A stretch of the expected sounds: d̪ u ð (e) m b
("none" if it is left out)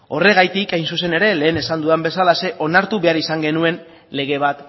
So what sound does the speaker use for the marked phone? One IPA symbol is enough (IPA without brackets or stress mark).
a